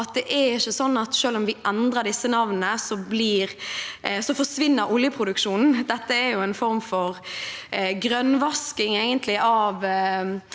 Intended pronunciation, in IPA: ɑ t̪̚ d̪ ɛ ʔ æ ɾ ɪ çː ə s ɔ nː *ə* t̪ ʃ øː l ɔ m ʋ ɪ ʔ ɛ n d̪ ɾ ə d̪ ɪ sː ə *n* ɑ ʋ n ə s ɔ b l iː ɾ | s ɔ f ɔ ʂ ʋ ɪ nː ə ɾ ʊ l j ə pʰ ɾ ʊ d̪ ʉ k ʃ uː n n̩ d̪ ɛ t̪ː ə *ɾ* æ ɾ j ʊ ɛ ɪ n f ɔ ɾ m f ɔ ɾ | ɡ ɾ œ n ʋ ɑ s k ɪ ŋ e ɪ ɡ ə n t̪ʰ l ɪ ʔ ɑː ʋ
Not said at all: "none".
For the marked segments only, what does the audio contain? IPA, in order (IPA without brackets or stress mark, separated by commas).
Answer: ɑ, n, none